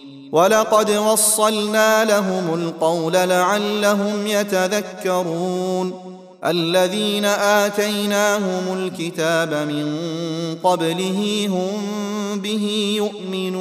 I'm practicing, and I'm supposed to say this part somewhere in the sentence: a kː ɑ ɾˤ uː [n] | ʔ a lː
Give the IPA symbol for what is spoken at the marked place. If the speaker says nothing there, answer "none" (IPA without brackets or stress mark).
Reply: n